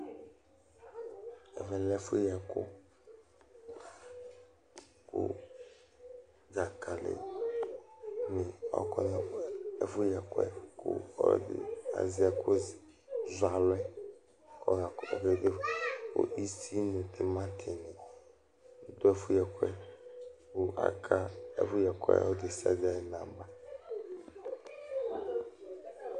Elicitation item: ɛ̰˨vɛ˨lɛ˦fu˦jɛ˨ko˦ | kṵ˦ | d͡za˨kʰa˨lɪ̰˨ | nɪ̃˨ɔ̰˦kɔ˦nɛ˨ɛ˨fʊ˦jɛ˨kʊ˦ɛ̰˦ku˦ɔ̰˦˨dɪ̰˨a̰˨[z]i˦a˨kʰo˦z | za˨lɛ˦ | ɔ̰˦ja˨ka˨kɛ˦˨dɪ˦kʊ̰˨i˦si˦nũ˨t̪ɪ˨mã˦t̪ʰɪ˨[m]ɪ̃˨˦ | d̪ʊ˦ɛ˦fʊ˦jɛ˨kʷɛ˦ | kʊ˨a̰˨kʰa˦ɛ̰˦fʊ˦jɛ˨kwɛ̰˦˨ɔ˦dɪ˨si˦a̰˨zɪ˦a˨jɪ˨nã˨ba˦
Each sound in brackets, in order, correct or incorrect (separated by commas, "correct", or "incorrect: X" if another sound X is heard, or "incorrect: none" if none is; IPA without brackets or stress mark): correct, incorrect: n